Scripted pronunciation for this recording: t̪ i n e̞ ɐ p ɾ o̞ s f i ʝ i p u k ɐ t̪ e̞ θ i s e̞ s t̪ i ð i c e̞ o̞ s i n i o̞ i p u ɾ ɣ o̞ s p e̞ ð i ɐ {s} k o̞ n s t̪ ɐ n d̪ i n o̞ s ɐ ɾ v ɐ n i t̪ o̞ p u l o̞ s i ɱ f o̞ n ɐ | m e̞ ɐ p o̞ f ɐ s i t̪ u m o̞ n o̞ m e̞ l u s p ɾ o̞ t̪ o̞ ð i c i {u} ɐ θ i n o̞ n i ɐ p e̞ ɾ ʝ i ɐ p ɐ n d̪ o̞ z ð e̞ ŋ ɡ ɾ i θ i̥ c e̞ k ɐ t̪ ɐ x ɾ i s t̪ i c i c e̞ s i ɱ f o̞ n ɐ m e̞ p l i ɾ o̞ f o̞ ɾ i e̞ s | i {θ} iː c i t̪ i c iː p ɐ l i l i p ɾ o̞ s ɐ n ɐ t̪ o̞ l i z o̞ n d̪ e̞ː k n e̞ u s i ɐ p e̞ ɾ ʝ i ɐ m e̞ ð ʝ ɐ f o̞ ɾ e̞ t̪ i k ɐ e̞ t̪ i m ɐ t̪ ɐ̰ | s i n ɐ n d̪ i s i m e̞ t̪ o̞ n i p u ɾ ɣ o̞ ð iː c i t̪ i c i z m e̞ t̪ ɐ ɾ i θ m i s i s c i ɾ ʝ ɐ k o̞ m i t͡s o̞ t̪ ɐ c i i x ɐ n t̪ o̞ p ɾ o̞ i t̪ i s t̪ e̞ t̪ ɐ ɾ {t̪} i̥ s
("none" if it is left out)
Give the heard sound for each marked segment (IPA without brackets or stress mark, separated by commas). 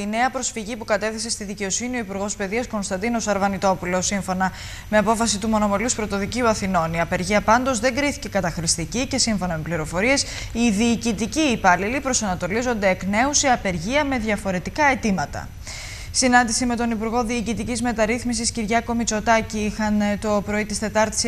s, u, ð, t̪